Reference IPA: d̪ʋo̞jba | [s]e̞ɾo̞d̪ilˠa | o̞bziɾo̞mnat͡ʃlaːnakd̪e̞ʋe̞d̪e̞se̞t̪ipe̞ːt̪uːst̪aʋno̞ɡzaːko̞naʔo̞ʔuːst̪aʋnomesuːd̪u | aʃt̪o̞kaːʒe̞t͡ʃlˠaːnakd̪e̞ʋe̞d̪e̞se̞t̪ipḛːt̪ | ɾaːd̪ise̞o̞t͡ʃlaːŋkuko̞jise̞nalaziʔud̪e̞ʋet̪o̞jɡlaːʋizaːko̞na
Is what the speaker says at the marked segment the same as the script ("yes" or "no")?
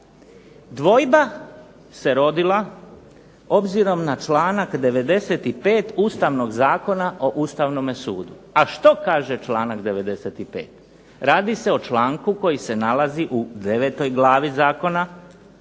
yes